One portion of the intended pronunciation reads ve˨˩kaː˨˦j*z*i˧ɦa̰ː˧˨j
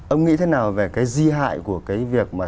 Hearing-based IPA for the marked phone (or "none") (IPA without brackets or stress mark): z